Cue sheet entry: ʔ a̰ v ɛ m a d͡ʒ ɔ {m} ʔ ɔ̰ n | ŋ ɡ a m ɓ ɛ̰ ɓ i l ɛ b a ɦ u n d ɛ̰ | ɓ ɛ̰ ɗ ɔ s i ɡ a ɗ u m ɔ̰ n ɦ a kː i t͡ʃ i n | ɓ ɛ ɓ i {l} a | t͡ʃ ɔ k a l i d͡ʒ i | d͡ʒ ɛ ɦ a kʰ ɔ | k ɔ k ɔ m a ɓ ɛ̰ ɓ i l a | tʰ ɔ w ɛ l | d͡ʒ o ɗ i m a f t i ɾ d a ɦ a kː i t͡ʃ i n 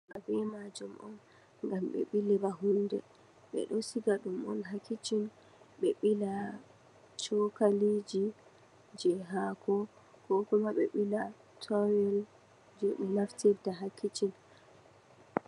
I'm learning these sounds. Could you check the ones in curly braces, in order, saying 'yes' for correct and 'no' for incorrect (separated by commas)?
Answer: yes, yes